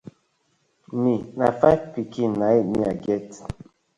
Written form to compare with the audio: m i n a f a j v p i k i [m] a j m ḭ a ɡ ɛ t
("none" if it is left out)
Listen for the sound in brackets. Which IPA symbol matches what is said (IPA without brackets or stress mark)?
n